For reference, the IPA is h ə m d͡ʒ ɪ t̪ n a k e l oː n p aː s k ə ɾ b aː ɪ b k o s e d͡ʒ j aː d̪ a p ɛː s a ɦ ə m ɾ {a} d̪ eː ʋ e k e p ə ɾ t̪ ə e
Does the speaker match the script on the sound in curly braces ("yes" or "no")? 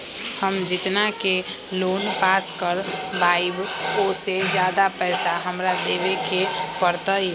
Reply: yes